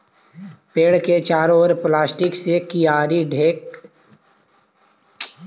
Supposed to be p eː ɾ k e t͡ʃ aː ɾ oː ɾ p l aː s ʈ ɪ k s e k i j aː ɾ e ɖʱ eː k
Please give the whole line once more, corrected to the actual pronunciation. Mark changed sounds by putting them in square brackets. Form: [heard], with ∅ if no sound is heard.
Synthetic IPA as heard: p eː [ɽ] k e t͡ʃ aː ɾ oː ɾ p l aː s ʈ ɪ k s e k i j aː ɾ [i] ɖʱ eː k

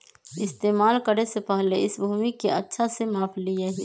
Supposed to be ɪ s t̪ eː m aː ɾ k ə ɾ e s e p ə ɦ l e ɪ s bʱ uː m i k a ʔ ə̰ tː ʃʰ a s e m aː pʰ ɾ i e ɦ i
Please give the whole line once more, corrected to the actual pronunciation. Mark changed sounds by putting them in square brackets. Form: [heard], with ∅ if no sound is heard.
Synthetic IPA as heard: ɪ s t̪ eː m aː [l] k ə ɾ e s e p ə ɦ l e ɪ s bʱ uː m i k [e] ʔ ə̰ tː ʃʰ a s e m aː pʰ [l] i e ɦ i

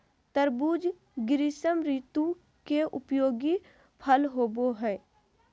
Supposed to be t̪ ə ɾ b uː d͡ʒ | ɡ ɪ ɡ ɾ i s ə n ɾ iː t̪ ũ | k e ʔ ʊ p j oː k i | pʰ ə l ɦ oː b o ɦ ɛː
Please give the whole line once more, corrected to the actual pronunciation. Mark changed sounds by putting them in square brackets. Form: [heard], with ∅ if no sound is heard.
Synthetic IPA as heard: t̪ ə ɾ b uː d͡ʒ | ɡ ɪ [∅] ɾ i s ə [m] ɾ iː t̪ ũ | k e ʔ ʊ p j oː [ɡ] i | pʰ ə l ɦ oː b o ɦ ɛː

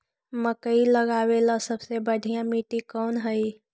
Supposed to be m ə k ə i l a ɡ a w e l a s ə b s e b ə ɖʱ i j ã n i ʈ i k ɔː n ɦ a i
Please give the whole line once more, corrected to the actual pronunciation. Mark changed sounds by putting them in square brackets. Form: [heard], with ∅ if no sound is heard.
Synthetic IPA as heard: m ə k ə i l [ə] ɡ a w e l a s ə b s e b ə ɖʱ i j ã [m] i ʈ i k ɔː n ɦ [ə] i

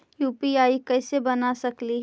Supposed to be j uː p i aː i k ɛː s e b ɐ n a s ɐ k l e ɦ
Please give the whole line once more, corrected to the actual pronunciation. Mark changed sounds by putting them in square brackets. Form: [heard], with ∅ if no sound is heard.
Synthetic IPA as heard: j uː p i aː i k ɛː s e b ɐ n a s ɐ k l [i] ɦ

